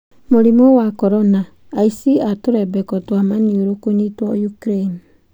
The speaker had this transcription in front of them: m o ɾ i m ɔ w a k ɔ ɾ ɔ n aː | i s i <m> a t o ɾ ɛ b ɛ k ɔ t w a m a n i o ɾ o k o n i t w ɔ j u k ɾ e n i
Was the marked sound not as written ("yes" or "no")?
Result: yes